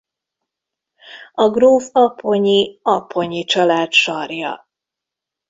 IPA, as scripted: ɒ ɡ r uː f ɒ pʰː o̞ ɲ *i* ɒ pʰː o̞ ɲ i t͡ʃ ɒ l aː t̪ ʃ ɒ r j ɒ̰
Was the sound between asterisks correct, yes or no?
yes